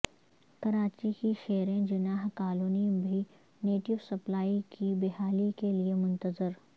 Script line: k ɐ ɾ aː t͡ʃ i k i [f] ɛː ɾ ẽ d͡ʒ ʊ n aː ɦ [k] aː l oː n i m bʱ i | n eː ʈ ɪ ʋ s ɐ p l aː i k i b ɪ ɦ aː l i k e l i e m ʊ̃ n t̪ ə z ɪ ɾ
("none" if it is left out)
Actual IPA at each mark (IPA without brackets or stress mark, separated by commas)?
ʃ, k